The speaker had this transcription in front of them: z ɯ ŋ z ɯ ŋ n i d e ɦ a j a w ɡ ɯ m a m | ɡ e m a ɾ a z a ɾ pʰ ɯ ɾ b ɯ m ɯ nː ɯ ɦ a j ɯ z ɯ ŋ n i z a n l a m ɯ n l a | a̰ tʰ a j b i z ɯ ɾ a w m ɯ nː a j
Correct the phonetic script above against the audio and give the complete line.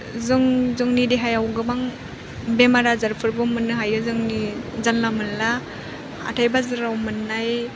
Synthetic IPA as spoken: z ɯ ŋ z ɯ ŋ n i d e ɦ a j a w ɡ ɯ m a ŋ | b e m a ɾ a z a ɾ pʰ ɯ ɾ b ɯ m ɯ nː ɯ ɦ a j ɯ z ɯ ŋ n i z a n l a m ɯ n l a | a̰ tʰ a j b a z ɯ ɾ a w m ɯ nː a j